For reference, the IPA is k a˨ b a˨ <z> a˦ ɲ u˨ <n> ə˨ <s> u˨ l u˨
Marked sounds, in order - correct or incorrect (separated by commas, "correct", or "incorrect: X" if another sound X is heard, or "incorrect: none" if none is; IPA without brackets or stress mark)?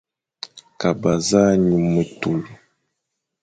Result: correct, incorrect: m, incorrect: t